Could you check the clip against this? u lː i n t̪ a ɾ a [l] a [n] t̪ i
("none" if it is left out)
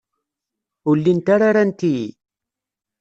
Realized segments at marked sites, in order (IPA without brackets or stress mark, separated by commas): ɾ, n